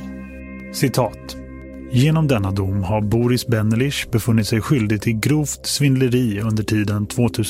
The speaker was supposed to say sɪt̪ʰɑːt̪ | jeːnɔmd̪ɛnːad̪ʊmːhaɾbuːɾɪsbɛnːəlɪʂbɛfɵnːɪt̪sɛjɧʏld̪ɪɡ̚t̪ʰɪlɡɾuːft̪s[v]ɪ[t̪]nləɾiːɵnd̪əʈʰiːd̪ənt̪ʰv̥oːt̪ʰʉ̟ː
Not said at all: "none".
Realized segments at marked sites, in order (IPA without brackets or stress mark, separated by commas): v, none